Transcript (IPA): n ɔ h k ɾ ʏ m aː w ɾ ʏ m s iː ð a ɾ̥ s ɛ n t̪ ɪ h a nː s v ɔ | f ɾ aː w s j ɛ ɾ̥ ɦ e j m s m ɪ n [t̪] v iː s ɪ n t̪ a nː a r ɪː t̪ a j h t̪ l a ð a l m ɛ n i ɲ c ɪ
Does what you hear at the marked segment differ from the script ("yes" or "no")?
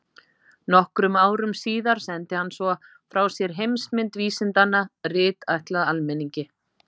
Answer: no